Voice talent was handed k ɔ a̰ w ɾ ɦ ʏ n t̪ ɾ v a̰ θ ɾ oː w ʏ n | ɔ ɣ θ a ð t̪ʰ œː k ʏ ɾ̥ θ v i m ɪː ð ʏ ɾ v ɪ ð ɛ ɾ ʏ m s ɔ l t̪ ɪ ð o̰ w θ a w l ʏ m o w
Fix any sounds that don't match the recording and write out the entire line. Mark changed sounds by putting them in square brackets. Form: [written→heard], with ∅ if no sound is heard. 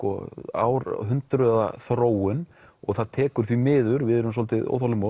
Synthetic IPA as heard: k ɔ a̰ w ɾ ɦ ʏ n t̪ ɾ [v→ð] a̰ θ ɾ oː w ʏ n | ɔ ɣ θ a ð t̪ʰ [œː→ɛː] k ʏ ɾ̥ θ v i m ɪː ð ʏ ɾ v ɪ ð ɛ ɾ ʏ m s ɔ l t̪ ɪ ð o̰ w θ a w l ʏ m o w